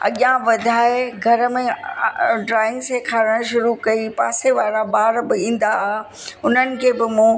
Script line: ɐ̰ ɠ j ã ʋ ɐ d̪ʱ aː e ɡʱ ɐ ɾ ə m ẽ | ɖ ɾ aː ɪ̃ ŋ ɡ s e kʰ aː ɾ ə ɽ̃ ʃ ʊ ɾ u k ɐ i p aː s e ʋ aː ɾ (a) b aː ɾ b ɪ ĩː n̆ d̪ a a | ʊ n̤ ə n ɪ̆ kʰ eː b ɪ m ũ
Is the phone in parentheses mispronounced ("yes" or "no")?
no